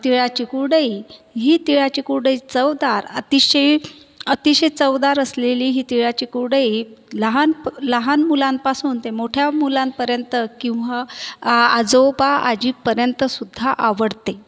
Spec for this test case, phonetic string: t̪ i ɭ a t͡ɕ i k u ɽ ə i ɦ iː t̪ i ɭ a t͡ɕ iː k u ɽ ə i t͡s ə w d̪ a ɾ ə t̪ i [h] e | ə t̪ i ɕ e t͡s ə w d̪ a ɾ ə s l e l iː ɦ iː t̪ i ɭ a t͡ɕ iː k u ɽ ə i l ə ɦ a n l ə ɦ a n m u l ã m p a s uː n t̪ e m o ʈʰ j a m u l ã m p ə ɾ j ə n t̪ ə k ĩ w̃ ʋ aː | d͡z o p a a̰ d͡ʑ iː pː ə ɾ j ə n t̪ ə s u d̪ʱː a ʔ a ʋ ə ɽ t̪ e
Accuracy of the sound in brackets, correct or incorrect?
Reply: incorrect: ɕ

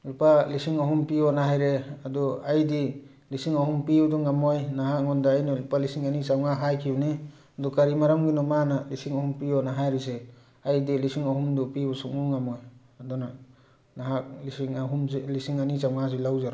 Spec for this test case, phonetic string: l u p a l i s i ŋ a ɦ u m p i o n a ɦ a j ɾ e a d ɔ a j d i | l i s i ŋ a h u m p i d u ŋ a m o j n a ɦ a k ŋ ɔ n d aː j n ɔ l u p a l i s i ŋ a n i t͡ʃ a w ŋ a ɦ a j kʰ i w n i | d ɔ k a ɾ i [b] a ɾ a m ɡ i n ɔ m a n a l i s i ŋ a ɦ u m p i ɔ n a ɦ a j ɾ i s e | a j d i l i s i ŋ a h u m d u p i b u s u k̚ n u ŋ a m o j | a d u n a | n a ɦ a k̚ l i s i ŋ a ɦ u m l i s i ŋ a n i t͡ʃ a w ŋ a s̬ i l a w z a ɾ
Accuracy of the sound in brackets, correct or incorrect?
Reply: incorrect: m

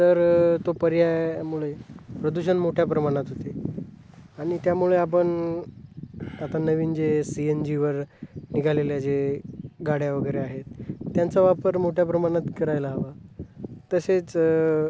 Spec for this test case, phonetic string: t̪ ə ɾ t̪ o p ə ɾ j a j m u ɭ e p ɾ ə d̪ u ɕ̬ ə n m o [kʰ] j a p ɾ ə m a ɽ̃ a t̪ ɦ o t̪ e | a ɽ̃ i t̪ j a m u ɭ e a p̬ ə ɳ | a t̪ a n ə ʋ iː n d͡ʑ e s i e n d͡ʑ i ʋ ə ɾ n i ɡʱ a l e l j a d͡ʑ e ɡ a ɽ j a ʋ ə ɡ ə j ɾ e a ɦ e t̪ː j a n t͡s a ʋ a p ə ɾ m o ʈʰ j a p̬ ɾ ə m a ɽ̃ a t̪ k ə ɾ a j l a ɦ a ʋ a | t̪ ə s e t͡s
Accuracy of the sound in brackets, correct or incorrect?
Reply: incorrect: ʈʰ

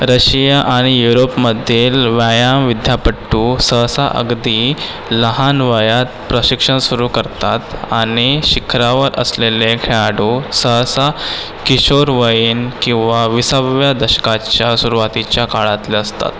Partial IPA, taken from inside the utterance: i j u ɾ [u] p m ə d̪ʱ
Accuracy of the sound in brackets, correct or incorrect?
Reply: incorrect: o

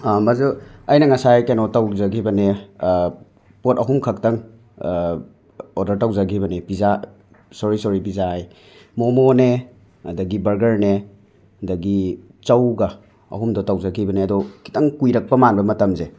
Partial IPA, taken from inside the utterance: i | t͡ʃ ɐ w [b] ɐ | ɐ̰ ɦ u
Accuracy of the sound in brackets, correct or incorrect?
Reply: incorrect: ɡ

